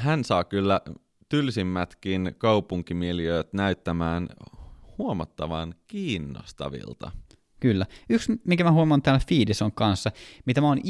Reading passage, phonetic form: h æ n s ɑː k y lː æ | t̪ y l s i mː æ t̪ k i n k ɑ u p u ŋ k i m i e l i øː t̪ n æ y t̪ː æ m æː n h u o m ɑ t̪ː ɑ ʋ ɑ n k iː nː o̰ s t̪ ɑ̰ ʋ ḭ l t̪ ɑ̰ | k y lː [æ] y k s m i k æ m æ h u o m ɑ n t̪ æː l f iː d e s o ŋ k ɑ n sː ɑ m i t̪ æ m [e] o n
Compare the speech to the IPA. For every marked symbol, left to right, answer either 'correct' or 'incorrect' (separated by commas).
correct, incorrect